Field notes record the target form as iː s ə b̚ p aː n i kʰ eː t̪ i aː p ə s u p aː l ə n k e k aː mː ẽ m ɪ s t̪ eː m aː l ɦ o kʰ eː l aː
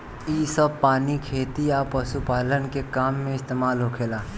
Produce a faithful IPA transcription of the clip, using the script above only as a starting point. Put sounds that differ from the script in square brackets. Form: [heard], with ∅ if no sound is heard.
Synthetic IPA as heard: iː s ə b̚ p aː n i kʰ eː t̪ i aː p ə s u p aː l ə n k e k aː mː ẽ [∅] ɪ s t̪ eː m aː l ɦ o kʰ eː l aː